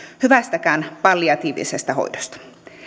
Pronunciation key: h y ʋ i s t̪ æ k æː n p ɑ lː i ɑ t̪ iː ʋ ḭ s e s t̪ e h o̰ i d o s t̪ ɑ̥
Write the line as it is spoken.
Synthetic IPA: h y ʋ æ s t̪ æ k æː n p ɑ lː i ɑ t̪ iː ʋ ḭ s e s t̪ æ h o̰ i d o s t̪ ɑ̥